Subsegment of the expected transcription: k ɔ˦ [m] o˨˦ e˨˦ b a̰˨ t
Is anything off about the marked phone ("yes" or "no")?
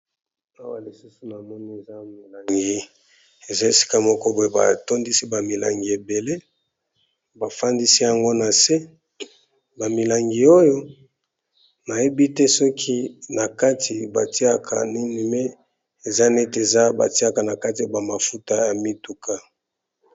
yes